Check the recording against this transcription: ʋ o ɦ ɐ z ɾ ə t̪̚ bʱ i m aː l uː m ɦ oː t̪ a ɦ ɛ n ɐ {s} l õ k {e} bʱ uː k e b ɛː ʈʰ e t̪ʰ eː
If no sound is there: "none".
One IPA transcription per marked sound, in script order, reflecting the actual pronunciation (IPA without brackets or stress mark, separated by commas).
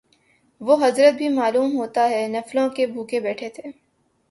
f, e